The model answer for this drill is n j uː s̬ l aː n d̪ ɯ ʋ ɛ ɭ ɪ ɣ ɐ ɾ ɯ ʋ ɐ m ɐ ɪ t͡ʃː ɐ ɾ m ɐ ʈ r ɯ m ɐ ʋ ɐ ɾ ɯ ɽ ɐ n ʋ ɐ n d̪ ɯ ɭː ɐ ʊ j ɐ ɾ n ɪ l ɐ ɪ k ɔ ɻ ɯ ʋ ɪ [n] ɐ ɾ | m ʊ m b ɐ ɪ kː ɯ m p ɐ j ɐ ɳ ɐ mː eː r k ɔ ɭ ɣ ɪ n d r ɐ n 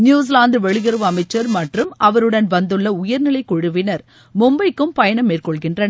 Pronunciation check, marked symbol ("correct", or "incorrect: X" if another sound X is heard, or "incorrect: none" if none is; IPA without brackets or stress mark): correct